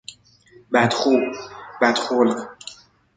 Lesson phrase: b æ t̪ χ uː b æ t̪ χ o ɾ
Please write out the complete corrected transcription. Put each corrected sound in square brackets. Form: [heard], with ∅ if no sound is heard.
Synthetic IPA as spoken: b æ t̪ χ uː b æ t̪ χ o [l]